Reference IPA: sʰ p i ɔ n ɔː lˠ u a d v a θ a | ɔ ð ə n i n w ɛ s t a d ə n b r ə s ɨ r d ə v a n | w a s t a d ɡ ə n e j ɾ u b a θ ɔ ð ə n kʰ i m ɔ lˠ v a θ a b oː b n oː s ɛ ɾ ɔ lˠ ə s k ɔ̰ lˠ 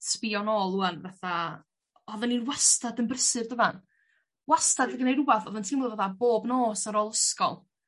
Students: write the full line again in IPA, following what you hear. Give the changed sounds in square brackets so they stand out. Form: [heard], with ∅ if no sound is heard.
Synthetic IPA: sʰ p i ɔ n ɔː lˠ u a [n] v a θ a | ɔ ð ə n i n w [a] s t a d ə n b r ə s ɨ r d ə v a n | w a s t a d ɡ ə n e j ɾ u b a θ ɔ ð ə n [tʰ] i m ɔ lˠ v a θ a b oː b n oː s [a] ɾ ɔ lˠ ə s k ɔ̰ lˠ

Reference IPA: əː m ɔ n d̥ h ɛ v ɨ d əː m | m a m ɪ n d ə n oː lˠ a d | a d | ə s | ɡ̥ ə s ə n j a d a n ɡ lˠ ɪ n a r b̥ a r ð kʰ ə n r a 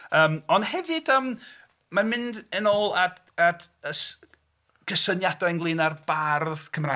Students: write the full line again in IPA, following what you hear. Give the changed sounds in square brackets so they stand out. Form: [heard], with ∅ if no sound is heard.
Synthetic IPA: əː m ɔ n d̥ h ɛ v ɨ d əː m | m a m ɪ n d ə n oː lˠ a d | a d | ə s | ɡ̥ ə s ə n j a d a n ɡ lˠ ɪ n a r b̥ a r ð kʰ ə [m] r a

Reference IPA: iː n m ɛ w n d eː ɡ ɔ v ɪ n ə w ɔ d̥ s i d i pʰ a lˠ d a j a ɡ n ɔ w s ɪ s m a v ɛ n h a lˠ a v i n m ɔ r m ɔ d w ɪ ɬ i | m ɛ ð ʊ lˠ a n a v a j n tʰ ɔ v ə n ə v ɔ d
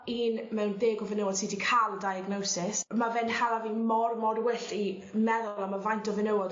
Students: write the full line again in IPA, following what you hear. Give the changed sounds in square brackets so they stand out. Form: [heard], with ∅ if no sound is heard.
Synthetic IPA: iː n m ɛ w n d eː ɡ ɔ v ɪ n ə w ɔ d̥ s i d i [kʰ] a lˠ d a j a ɡ n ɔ w s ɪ s m a v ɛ n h a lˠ a v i n m ɔ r m ɔ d w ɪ ɬ i | m ɛ ð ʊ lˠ a [m] a v a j n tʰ ɔ v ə n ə [w] ɔ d

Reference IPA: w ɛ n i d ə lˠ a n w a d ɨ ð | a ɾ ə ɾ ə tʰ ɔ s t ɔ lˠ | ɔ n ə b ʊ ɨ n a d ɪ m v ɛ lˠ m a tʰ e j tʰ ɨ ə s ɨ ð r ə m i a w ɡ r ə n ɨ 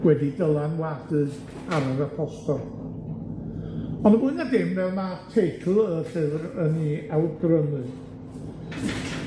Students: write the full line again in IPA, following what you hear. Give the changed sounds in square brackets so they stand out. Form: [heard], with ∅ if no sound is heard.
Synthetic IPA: w ɛ [d] i d ə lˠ a n w a d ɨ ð | a ɾ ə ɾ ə [pʰ] ɔ s t ɔ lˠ | ɔ n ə b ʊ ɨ n a d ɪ m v ɛ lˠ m a tʰ e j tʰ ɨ ə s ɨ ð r ə [n] i a w ɡ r ə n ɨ

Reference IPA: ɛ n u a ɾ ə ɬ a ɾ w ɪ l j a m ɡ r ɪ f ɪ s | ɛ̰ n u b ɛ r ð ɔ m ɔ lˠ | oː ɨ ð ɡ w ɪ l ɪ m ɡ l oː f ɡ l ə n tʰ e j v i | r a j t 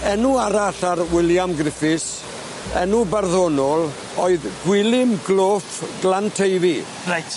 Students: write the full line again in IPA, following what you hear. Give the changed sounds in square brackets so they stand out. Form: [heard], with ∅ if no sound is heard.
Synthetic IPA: ɛ n u a ɾ [a] ɬ a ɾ w ɪ l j a m ɡ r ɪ f ɪ s | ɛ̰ n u b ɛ r ð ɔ [n] ɔ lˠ | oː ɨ ð ɡ w ɪ l ɪ m ɡ l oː f ɡ l [a] n tʰ e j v i | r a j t

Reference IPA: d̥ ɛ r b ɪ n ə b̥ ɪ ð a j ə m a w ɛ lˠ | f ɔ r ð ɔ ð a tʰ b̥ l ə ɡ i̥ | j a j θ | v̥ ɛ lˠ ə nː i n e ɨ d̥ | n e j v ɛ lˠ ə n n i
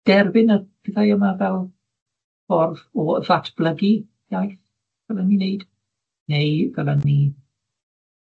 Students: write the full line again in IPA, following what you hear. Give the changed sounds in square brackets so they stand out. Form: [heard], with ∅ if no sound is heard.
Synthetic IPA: d̥ ɛ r b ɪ n ə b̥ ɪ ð a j ə m a [v] ɛ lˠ | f ɔ r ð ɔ ð a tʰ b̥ l ə ɡ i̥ | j a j θ | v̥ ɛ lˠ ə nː i n e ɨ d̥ | n e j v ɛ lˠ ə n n i

